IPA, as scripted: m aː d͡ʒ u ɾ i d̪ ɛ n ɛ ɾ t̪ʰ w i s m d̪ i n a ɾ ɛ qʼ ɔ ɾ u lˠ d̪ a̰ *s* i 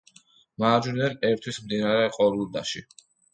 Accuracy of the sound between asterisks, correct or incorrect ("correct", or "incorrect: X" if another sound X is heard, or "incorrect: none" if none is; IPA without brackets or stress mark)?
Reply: incorrect: ʃ